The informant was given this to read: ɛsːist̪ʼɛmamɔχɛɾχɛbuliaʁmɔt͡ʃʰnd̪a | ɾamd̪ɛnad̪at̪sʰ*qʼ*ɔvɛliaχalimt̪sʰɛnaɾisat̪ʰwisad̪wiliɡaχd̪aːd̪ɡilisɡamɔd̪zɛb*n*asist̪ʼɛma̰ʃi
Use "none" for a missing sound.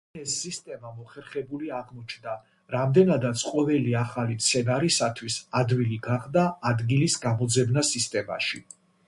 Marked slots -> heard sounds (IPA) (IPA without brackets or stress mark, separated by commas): qʼ, n